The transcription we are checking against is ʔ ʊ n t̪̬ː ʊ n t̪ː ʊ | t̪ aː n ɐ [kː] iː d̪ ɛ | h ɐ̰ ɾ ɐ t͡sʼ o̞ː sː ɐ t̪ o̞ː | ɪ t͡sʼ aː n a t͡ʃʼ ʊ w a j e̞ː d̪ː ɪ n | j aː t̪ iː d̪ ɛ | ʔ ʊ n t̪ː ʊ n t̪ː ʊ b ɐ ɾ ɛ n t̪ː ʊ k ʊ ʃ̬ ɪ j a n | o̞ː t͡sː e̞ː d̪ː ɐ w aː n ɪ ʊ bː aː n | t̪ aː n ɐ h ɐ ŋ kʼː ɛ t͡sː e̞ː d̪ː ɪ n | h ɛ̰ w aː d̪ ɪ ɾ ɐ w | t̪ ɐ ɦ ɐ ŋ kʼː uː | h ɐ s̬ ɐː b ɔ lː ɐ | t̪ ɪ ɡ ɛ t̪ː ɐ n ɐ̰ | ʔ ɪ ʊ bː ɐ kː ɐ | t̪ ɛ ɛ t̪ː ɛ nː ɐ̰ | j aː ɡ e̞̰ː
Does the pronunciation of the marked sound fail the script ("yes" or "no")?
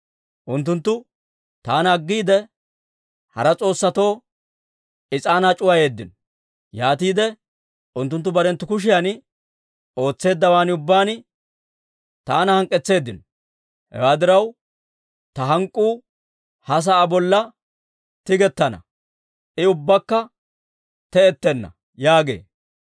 yes